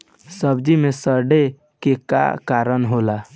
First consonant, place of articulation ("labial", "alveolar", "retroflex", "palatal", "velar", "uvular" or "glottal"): alveolar